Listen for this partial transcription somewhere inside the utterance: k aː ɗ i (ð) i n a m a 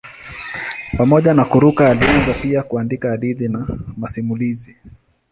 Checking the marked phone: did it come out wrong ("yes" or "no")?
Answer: no